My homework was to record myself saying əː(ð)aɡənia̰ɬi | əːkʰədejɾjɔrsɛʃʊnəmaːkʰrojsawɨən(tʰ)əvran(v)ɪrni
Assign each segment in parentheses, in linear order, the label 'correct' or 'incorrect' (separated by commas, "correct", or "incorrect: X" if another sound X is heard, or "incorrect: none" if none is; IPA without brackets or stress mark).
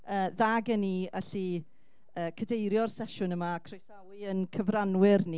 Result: correct, incorrect: kʰ, incorrect: w